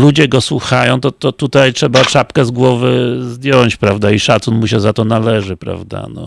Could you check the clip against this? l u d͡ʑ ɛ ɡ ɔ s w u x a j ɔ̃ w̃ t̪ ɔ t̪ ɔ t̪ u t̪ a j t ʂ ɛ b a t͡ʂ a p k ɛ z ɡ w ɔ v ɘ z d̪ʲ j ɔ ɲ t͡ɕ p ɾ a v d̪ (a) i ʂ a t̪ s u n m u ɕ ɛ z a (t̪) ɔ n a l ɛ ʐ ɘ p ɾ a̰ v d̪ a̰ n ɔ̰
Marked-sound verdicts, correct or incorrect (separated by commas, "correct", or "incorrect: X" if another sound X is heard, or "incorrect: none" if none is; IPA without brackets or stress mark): correct, correct